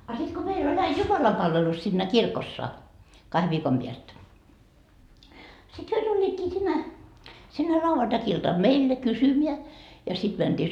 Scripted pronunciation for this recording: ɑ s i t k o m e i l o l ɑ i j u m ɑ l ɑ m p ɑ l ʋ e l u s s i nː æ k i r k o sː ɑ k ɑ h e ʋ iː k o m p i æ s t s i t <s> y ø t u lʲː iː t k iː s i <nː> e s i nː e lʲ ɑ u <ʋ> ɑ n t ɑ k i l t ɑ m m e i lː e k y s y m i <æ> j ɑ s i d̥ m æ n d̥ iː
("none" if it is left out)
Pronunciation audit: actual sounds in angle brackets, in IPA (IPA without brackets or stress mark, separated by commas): h, nː, ʋ, æ